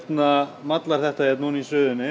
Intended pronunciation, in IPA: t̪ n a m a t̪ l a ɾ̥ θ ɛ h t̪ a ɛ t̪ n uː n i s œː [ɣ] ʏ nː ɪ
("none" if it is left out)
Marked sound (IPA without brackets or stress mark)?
ð